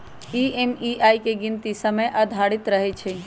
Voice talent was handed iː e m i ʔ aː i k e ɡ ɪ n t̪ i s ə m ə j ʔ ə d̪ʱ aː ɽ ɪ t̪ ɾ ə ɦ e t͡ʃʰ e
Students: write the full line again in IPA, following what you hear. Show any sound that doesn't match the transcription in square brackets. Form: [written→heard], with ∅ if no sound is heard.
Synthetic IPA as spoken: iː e m i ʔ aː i k e ɡ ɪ n t̪ i s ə m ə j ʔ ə d̪ʱ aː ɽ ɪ t̪ ɾ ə ɦ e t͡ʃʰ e